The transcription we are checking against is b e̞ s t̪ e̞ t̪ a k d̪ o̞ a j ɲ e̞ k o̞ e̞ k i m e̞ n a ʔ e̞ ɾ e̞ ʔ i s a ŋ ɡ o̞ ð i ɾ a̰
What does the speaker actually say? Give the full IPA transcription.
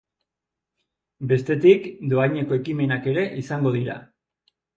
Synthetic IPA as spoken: b e̞ s t̪ e̞ t̪ i k d̪ o̞ a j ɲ e̞ k o̞ e̞ k i m e̞ n a k e̞ ɾ e̞ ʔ i s a ŋ ɡ o̞ ð i ɾ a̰